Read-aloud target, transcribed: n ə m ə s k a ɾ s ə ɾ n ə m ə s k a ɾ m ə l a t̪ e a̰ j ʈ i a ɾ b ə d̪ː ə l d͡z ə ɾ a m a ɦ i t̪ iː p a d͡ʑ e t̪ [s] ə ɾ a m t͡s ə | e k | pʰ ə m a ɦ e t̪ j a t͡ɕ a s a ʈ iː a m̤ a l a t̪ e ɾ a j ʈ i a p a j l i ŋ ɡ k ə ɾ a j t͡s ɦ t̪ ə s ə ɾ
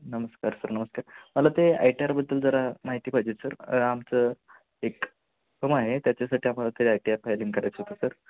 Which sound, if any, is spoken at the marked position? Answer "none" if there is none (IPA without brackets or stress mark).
s